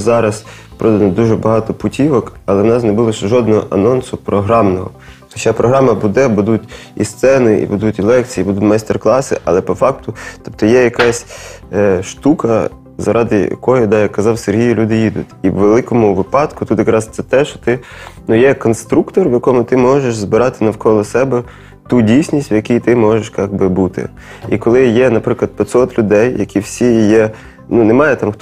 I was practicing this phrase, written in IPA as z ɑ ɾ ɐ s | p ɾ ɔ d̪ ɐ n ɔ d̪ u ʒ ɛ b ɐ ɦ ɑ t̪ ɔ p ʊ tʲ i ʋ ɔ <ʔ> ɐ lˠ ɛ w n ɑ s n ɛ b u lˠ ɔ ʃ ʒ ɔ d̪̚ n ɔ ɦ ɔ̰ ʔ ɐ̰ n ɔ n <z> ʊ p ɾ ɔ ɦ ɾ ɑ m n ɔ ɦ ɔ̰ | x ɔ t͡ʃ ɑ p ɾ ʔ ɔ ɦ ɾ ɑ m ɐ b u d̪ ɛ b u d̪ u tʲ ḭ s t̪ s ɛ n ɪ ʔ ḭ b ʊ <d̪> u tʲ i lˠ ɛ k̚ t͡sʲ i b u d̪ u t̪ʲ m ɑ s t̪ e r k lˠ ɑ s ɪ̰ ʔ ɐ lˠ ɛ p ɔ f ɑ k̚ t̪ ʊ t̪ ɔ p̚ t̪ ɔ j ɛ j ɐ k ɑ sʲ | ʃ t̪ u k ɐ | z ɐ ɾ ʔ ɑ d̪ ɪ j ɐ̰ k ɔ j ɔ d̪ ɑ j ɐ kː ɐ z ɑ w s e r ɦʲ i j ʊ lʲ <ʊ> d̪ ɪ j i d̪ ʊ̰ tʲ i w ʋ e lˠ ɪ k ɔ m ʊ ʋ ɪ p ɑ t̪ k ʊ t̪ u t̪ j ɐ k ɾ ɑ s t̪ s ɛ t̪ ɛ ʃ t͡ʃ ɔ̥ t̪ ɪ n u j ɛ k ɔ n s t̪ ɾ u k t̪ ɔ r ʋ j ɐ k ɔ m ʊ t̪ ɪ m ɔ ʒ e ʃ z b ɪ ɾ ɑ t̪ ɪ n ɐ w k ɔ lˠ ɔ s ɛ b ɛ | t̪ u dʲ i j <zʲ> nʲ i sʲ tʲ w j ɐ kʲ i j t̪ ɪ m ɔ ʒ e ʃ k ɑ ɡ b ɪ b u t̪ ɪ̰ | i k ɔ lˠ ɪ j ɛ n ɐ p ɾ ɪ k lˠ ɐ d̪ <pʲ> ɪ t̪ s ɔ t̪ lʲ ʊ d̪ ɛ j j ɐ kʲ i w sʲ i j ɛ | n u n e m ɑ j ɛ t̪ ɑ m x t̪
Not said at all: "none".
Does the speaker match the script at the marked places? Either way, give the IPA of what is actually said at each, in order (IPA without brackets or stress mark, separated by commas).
k, s, d̪, u, sʲ, pʲ